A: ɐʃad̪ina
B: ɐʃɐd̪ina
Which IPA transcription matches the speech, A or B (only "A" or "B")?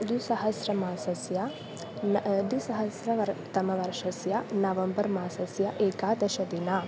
B